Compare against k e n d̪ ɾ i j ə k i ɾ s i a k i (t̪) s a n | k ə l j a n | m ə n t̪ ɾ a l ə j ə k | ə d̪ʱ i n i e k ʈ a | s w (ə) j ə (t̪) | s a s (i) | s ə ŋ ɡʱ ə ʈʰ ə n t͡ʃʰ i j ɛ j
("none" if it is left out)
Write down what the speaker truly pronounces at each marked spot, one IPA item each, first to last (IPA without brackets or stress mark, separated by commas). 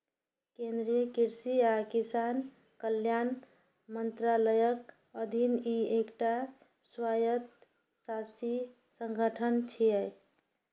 none, a, t̪, i